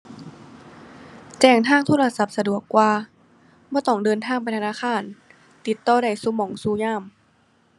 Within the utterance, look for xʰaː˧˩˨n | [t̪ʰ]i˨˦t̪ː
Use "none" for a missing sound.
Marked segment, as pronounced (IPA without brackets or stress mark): t̪